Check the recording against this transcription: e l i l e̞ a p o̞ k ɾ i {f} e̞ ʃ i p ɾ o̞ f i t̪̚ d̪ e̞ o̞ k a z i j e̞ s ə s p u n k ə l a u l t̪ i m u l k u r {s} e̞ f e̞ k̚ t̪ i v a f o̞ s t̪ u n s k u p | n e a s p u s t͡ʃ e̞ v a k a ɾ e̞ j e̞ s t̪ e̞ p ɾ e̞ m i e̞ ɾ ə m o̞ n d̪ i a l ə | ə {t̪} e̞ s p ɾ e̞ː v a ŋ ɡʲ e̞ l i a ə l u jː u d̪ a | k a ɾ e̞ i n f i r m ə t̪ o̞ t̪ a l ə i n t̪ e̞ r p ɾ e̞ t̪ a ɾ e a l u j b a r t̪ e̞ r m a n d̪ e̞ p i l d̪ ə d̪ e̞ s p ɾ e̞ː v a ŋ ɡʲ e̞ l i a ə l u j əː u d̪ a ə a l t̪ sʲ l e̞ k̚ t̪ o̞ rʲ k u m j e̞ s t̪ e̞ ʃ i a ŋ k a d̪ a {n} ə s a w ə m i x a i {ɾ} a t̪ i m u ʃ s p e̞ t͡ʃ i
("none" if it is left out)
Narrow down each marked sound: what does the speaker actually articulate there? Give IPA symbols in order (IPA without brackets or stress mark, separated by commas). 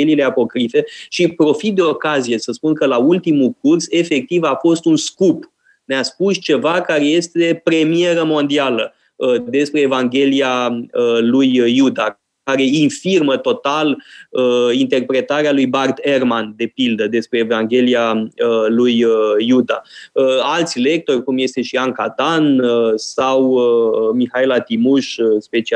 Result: f, s, d̪, n, l